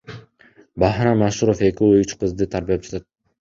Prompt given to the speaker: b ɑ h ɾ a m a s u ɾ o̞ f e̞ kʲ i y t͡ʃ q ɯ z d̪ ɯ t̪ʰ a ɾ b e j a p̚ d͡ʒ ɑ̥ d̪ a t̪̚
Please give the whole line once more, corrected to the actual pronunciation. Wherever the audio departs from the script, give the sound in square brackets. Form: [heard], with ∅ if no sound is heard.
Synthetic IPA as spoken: b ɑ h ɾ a m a [ʃ] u ɾ o̞ f e̞ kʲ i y t͡ʃ q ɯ z d̪ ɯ t̪ʰ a ɾ b [i] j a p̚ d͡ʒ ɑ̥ [t̪] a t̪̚